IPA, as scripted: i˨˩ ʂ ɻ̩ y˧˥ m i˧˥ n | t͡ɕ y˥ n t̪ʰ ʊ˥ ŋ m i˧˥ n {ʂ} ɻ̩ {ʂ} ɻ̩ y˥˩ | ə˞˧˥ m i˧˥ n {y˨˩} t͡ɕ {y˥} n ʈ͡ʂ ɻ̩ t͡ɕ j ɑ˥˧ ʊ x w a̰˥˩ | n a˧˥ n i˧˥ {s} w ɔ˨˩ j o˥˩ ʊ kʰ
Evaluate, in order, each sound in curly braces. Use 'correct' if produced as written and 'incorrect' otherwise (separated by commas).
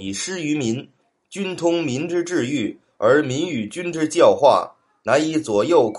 incorrect, incorrect, correct, correct, incorrect